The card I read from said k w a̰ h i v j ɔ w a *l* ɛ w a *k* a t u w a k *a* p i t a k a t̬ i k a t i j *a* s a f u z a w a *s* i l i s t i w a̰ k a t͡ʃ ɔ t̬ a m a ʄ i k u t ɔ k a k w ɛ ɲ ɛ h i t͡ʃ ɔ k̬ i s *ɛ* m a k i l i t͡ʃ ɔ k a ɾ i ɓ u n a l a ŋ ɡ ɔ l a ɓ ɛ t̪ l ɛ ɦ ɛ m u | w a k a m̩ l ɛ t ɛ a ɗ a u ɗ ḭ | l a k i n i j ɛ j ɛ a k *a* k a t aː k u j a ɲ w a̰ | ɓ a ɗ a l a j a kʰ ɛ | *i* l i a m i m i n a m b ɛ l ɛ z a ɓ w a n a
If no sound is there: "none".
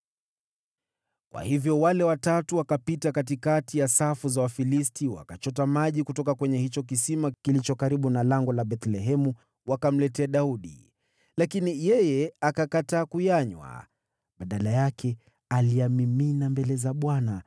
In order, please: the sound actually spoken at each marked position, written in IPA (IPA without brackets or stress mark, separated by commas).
l, t, a, a, f, i, a, a